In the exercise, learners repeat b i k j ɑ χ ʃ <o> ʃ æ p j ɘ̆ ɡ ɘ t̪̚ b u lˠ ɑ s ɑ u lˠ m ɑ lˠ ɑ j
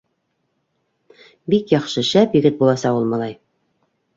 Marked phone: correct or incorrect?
incorrect